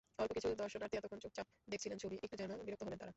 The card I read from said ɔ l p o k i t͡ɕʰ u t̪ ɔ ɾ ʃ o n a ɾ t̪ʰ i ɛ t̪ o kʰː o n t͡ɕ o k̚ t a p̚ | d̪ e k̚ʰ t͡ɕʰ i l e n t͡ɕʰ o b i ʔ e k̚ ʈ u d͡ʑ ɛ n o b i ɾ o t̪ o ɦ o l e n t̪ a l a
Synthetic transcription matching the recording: ɔ l p o k i t͡ɕʰ u d̪ ɔ ɾ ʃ o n a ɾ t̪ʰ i ɛ t̪ o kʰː o n t͡ɕ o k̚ t͡ɕ a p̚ | d̪ e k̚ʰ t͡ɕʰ i l e n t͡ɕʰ o b i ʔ e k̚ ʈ u d͡ʑ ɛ n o b i ɾ o t̪ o ɦ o l e n t̪ a ɾ a